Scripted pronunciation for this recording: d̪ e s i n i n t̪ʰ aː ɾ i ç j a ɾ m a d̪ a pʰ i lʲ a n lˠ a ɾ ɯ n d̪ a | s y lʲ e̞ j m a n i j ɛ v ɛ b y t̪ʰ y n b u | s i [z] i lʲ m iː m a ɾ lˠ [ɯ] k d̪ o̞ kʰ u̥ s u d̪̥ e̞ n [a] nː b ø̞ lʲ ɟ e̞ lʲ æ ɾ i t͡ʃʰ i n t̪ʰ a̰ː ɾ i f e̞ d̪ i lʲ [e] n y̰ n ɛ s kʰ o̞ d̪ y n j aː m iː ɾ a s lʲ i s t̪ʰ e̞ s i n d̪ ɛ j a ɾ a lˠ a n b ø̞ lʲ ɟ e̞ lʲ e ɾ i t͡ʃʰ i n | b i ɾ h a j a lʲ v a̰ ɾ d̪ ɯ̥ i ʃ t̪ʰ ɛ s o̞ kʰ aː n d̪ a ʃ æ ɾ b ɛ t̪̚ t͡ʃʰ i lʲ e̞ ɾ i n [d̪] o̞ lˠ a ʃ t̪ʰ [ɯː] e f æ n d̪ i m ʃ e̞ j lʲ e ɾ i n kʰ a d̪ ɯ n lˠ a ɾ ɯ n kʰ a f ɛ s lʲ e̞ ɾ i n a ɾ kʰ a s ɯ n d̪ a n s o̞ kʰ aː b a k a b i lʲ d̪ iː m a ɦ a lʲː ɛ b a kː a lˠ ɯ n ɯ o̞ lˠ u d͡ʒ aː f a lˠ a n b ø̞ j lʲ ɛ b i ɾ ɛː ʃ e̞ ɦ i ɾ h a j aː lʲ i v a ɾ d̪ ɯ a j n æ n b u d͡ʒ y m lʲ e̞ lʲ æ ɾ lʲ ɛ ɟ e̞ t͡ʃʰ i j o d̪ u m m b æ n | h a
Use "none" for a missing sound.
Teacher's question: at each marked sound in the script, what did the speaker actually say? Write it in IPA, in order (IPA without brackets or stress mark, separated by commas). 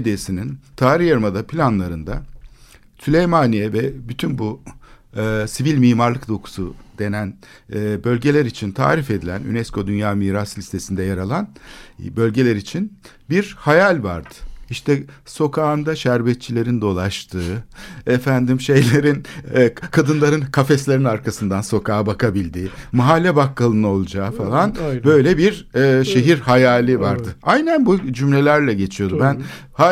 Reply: v, ɯ, æ, æ, d̪, ɯː